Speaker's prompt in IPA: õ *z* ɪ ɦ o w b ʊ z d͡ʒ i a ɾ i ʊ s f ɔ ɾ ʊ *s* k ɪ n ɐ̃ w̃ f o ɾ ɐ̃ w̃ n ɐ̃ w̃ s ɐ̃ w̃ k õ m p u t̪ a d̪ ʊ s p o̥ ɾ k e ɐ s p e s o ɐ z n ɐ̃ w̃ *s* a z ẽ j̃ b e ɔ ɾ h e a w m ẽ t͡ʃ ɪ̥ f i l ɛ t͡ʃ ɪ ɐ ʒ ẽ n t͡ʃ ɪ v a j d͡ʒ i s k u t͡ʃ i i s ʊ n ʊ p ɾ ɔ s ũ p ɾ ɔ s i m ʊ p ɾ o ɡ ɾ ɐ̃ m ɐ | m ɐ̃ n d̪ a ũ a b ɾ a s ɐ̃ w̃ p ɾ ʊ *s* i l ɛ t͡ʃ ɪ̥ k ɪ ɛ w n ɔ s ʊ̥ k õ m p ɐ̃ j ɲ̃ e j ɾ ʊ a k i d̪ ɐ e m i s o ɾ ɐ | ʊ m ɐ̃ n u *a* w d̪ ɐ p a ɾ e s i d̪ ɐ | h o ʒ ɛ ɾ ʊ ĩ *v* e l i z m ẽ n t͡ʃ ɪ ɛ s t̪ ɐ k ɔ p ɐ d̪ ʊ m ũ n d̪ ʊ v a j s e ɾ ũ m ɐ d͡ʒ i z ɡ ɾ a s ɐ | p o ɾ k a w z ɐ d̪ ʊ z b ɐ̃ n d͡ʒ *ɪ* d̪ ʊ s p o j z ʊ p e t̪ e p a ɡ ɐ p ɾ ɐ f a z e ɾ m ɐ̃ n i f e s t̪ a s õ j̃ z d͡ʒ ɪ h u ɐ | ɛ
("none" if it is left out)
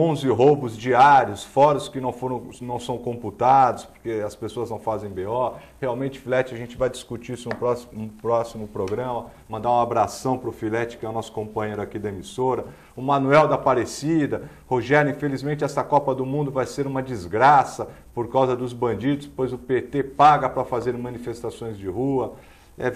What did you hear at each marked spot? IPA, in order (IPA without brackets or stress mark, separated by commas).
z, s, f, f, ɛ, f, i